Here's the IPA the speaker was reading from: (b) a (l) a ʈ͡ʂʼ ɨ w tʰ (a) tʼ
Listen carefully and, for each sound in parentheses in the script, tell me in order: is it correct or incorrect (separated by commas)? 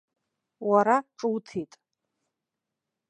incorrect, incorrect, incorrect